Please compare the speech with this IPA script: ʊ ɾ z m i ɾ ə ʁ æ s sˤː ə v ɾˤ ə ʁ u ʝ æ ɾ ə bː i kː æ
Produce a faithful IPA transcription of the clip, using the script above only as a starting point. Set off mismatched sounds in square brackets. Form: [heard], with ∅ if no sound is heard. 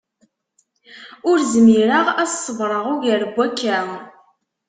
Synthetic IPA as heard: ʊ ɾ z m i ɾ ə ʁ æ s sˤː ə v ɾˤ ə ʁ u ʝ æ ɾ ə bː [æ] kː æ